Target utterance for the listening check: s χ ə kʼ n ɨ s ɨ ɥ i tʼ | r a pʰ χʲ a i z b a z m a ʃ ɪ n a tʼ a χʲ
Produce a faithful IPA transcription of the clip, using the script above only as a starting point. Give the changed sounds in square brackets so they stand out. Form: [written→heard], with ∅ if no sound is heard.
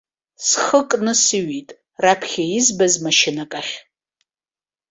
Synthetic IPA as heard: s χ ə kʼ n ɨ s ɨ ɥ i tʼ | r a pʰ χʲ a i z b a z m a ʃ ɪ n a [tʼ→kʼ] a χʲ